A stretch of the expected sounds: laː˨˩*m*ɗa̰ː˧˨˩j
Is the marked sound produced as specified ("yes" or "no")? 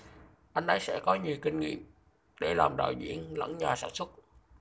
yes